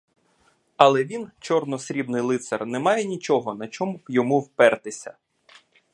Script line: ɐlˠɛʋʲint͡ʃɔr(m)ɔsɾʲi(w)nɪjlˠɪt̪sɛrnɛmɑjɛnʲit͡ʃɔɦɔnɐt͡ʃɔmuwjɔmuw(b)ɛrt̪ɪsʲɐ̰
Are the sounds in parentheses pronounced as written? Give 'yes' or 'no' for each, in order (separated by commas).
no, no, no